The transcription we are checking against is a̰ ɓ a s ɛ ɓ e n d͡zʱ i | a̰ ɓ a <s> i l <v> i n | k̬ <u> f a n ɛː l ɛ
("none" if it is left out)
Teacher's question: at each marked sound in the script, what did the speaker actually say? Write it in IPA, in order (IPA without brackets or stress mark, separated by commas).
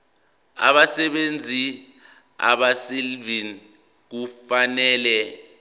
s, v, u